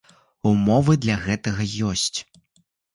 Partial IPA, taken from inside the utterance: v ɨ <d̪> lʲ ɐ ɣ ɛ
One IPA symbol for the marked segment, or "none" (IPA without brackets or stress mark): d̪